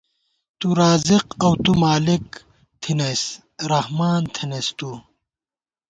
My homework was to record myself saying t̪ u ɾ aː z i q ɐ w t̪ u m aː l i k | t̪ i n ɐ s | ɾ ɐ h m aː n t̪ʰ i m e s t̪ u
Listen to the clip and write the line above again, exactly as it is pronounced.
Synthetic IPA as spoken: t̪ u ɾ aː z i q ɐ w t̪ u m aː l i k | t̪ʰ i n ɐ s | ɾ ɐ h m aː n t̪ʰ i n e s t̪ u